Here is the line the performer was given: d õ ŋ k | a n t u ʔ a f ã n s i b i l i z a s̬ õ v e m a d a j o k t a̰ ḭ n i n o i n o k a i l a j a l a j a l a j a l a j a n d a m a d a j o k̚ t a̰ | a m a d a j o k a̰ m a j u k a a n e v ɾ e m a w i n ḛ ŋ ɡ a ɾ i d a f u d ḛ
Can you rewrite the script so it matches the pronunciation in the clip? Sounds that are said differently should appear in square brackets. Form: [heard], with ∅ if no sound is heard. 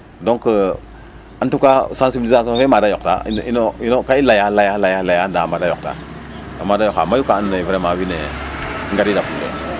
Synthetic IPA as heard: d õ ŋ k | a n t u [k] a [s] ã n s i b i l i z a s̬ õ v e m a d a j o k t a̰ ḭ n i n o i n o k a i l a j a l a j a l a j a l a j a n d a m a d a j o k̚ t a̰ | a m a d a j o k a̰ m a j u k a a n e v ɾ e m a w i n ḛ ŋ ɡ a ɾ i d a f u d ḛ